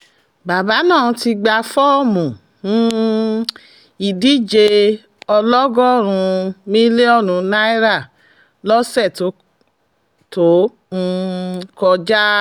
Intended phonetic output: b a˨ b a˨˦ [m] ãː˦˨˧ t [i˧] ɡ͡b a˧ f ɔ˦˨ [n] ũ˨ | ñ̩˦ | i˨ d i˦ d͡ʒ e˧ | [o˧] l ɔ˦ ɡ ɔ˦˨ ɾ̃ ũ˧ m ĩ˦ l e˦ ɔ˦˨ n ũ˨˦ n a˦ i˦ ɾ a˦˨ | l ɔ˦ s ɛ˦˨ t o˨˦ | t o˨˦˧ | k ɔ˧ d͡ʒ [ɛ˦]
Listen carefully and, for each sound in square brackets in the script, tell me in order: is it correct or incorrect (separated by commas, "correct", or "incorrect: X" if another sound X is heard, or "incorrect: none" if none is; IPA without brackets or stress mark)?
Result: incorrect: n, correct, incorrect: m, incorrect: ɔ˧, incorrect: a˦